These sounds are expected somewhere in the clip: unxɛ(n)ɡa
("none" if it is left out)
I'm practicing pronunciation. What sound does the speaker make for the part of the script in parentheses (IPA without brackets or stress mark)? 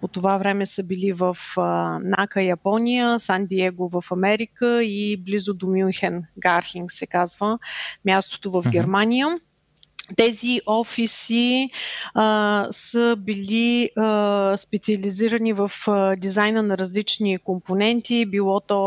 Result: n